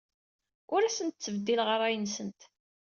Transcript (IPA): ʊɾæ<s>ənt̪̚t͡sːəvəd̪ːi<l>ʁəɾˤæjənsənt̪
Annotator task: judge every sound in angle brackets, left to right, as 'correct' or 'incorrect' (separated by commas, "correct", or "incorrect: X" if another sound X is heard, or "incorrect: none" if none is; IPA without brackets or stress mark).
correct, correct